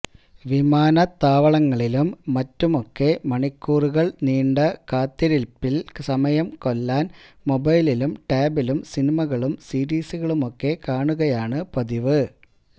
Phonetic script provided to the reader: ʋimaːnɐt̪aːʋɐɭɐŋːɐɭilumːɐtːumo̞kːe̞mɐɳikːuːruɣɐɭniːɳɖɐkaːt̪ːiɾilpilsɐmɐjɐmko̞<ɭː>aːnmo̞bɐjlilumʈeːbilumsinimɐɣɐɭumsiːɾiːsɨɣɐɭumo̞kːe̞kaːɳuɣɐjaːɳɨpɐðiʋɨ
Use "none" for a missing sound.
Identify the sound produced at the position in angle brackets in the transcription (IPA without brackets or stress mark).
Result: lː